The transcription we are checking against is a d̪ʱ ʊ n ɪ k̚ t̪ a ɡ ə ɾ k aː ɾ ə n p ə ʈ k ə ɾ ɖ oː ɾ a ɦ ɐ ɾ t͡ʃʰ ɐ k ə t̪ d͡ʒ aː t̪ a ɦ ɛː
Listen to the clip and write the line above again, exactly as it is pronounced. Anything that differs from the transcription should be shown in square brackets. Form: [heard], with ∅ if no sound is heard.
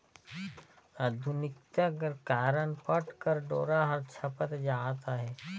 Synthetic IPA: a d̪ʱ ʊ n ɪ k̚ t̪ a ɡ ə ɾ k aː ɾ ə n p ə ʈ k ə ɾ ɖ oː ɾ a ɦ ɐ ɾ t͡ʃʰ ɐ [p] ə t̪ d͡ʒ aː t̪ a ɦ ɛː